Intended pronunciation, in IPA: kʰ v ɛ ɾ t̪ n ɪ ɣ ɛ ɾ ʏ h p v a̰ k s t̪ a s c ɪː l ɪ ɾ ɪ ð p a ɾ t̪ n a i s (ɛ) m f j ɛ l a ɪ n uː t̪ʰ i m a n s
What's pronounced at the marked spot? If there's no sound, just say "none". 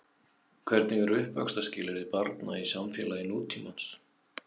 a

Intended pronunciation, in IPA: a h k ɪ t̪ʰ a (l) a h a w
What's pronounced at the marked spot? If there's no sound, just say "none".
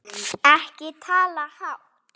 l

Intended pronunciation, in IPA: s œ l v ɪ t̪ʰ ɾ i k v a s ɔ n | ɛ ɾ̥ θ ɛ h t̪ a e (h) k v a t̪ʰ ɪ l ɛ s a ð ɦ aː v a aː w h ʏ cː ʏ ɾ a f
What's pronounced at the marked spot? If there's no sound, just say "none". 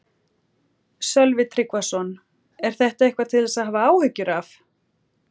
h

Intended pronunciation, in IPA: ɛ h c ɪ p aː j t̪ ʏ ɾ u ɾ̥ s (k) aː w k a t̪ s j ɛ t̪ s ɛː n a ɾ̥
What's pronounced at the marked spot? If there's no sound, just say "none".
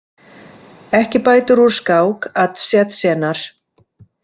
k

